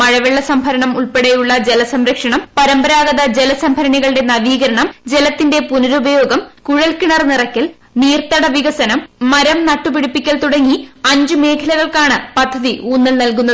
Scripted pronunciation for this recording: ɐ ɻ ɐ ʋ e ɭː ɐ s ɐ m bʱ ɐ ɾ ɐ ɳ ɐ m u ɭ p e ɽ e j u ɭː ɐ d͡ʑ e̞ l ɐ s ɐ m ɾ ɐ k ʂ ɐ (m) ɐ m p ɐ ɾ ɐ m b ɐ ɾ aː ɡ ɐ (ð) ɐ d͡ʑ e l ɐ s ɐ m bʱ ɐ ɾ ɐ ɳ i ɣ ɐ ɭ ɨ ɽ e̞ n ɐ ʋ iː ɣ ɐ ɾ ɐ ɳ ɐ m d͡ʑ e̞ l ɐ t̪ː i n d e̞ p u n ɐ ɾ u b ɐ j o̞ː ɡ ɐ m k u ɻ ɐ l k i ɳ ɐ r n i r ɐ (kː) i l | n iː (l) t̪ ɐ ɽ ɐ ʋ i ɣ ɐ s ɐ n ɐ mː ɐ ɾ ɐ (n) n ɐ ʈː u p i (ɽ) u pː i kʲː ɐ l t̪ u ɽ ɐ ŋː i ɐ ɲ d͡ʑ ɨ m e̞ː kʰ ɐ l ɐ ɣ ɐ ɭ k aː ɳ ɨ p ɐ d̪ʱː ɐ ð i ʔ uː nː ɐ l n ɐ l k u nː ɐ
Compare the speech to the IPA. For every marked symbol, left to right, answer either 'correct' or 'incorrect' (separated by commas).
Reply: incorrect, correct, correct, incorrect, incorrect, correct